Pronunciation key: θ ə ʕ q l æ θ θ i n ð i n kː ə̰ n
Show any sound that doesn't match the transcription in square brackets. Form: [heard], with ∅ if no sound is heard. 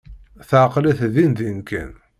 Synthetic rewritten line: θ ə ʕ q l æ θ [ð] i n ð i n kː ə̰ n

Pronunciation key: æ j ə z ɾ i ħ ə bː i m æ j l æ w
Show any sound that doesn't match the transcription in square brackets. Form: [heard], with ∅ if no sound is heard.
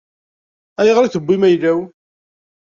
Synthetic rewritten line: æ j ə [ʁ] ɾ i [θ] ə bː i m æ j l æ w

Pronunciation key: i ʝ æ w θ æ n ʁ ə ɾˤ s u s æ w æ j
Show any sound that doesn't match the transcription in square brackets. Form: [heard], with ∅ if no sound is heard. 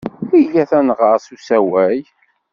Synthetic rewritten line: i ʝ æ [∅] θ æ n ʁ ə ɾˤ s u s æ w æ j

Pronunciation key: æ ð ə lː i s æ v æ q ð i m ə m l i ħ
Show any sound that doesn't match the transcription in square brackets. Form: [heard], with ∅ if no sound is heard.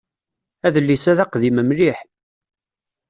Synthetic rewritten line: æ ð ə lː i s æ [ð] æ q ð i m ə m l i ħ

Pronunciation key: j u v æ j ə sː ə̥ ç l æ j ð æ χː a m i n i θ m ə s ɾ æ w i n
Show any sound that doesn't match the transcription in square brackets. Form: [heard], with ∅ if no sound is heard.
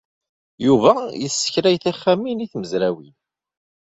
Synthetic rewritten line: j u v æ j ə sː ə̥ ç [ɾ] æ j [θ] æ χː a m i n i θ m ə [z] ɾ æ w i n

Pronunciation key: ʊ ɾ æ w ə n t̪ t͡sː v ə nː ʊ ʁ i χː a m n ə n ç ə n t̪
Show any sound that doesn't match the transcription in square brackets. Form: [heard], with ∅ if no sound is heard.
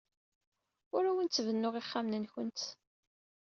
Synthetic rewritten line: ʊ ɾ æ w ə n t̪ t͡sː v ə nː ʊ ʁ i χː a m n ə n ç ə n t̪

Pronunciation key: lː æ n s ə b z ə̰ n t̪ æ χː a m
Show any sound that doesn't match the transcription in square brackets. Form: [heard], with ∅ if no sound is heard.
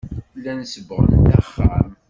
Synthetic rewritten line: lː æ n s ə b [ʁ] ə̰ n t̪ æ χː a m

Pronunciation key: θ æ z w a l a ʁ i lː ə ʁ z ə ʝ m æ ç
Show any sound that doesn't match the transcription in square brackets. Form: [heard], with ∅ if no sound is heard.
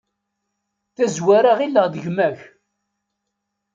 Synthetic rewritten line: θ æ z w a [ɾ] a ʁ i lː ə ʁ [ð] ə ʝ m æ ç

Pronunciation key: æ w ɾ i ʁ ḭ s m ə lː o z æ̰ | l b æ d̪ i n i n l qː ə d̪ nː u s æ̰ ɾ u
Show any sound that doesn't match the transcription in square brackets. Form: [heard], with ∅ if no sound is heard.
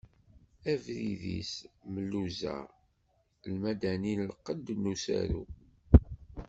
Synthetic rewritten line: æ [v] ɾ i [ð] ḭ s m ə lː [u] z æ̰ | l [m] æ d̪ [æ] n i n l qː ə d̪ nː u s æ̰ ɾ u

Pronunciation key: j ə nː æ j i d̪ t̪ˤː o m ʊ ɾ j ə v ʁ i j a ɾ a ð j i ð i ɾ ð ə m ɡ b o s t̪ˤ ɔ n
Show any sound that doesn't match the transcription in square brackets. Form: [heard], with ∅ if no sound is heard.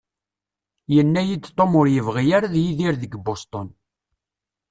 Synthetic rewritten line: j ə nː æ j i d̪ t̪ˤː o m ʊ ɾ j ə v ʁ i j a ɾ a ð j i ð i ɾ ð ə [∅] ɡ b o s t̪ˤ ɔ n

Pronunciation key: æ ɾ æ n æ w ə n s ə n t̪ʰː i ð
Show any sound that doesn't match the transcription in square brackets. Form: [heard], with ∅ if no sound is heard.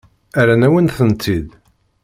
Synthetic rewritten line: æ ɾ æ n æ w ə n [θ] ə n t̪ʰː i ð

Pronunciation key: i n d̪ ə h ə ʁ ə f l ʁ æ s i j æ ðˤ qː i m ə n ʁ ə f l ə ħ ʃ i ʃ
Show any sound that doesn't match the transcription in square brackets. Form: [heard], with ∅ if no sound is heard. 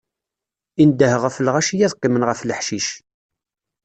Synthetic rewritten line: i n d̪ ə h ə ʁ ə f l ʁ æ [ʃ] i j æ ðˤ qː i m ə n ʁ ə f l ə ħ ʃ i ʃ

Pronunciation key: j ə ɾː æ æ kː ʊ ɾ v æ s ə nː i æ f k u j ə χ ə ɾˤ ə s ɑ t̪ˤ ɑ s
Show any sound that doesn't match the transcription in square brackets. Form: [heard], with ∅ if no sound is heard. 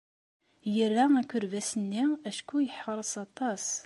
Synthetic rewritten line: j ə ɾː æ æ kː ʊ ɾ v æ s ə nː i æ [ʃ] k u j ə [ħ] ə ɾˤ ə s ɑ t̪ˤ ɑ s

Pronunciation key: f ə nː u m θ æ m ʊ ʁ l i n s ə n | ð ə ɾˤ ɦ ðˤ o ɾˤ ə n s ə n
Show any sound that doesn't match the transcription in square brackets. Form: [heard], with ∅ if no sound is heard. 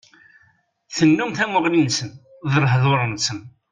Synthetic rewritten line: [θ] ə nː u m θ æ m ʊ ʁ l i n s ə n | ð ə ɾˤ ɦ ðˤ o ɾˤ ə n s ə n

